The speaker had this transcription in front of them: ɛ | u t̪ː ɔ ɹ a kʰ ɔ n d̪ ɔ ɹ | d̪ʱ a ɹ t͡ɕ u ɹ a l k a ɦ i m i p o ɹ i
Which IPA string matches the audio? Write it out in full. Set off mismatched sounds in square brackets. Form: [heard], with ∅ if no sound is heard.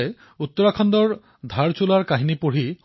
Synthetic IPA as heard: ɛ | u t̪ː ɔ ɹ a kʰ ɔ n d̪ ɔ ɹ | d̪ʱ a ɹ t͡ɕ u [l] a [ɹ] k a ɦ i [n] i p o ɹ i